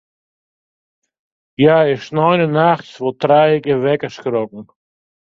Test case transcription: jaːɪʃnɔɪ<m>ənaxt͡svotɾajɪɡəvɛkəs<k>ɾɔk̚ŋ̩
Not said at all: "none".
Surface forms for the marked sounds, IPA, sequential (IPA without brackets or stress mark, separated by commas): n, k